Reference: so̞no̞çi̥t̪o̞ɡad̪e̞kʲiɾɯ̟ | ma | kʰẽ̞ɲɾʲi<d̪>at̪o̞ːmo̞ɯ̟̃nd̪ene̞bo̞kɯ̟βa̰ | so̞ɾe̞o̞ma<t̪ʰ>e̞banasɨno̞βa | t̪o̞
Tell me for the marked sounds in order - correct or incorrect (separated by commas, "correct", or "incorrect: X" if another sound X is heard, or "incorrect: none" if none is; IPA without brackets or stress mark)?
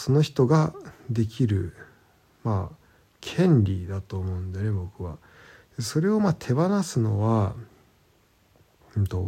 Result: correct, correct